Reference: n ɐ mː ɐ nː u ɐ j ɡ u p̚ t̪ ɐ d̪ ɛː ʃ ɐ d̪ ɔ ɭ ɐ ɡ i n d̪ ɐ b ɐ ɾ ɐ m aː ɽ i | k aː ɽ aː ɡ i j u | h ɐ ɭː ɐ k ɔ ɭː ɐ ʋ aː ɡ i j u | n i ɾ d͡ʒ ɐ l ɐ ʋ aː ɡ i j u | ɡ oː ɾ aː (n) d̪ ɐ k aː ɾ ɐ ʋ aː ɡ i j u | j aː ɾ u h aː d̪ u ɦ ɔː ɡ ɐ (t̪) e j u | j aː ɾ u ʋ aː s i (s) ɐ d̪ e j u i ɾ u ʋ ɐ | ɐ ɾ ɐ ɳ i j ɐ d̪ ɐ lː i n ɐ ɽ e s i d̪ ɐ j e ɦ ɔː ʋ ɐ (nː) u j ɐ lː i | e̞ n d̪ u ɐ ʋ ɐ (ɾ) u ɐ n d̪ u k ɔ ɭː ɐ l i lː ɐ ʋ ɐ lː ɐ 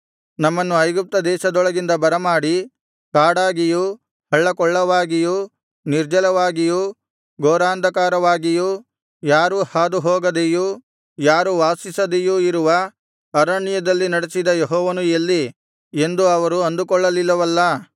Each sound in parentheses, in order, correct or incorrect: correct, incorrect, correct, incorrect, correct

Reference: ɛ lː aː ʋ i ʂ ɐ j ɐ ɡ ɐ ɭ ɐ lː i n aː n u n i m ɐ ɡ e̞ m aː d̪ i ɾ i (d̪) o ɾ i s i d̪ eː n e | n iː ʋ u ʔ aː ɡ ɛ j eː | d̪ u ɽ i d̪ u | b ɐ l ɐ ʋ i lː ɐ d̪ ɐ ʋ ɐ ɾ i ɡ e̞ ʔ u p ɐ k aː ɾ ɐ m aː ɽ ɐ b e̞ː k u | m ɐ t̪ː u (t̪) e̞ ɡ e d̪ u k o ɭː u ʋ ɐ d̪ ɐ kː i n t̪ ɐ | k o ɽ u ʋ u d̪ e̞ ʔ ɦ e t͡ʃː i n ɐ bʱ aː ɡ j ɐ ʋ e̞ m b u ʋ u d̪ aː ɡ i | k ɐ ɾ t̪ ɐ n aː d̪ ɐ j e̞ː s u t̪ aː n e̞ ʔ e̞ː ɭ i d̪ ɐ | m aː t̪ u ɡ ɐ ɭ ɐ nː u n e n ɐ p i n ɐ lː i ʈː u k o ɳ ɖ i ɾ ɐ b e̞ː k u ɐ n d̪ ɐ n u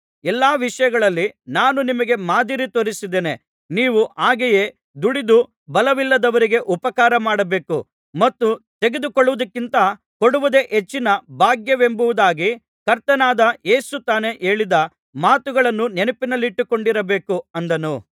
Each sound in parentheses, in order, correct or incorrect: incorrect, correct

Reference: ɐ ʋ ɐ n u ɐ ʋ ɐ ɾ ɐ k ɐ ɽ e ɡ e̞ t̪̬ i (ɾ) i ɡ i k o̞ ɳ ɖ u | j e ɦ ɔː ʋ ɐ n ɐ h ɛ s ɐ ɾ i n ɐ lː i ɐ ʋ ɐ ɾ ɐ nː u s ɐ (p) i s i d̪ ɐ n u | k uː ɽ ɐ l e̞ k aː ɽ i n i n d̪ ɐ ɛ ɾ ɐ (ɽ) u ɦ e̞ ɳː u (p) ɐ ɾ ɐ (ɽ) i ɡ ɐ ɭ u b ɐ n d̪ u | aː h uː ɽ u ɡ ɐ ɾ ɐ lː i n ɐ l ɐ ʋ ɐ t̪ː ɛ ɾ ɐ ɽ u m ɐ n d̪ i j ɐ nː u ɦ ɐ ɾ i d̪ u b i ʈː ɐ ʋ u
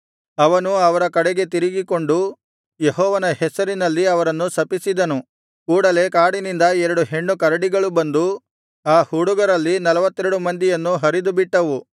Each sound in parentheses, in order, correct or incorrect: correct, correct, correct, incorrect, correct

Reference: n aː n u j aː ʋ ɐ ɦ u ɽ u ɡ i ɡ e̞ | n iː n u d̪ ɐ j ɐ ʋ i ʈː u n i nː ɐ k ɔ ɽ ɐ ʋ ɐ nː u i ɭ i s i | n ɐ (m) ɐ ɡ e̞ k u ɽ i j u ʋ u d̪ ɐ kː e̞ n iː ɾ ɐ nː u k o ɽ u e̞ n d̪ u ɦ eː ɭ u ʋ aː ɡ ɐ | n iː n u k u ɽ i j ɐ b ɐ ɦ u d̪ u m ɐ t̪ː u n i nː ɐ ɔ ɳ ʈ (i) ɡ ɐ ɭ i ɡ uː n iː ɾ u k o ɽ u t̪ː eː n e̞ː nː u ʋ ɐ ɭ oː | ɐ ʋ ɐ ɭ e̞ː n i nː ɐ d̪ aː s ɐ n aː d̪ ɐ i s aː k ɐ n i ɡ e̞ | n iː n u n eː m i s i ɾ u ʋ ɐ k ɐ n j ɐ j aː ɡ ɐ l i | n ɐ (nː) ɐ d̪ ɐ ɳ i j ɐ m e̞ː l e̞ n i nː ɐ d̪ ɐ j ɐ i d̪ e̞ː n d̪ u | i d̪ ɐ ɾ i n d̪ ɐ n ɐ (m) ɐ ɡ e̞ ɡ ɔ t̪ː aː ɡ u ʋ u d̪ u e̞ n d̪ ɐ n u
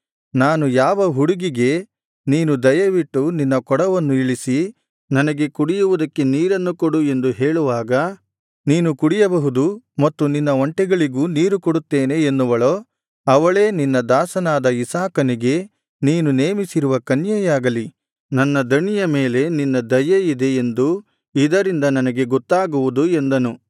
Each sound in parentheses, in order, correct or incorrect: incorrect, incorrect, correct, incorrect

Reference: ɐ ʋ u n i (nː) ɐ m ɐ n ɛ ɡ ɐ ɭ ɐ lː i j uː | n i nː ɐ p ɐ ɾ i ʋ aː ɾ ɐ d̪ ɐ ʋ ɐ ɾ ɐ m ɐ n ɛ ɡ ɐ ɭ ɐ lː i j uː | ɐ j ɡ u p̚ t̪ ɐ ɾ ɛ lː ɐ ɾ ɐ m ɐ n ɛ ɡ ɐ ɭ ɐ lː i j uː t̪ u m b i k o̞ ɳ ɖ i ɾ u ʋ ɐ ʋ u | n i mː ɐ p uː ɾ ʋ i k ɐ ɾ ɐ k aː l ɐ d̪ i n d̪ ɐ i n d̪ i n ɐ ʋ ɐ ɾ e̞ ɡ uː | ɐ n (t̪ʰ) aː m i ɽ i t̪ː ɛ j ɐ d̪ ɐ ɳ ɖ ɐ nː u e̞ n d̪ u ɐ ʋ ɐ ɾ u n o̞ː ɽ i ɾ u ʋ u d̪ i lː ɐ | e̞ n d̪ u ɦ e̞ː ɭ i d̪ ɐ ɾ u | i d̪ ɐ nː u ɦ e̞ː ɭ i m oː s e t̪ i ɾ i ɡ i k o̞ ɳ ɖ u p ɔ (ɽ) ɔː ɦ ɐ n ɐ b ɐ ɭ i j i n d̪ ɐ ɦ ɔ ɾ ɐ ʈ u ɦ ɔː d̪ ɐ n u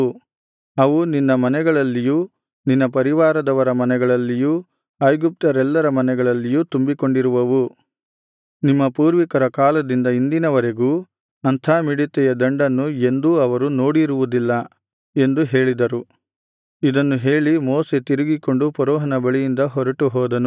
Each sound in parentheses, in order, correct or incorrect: correct, correct, incorrect

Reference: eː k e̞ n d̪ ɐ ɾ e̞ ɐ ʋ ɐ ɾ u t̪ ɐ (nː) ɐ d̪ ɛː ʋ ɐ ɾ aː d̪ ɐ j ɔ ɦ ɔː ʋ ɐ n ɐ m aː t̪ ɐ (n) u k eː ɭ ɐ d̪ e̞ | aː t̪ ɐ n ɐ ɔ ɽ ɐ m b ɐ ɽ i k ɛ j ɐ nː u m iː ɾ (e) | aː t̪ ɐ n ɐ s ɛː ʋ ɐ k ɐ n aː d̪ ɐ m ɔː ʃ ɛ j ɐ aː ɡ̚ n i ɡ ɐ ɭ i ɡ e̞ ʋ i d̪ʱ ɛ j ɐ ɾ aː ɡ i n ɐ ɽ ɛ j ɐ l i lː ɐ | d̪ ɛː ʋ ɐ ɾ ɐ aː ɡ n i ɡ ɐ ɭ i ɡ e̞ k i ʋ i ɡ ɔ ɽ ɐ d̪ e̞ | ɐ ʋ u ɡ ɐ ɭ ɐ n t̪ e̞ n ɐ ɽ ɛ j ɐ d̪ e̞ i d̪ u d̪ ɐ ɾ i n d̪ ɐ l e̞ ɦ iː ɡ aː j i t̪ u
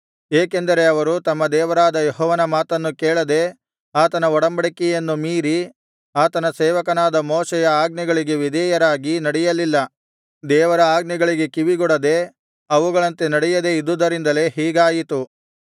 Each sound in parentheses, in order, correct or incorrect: incorrect, incorrect, incorrect

